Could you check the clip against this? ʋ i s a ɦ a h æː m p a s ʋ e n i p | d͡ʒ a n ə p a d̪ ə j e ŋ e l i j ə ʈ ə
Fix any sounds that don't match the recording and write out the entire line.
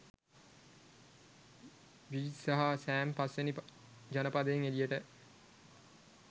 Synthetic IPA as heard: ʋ i s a ɦ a s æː m p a s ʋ e n i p | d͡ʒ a n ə p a d̪ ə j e ŋ e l i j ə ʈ ə